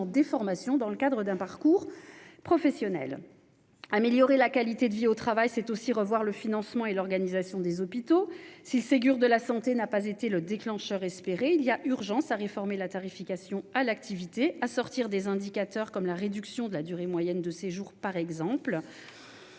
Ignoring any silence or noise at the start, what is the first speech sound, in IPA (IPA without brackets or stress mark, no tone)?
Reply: d̪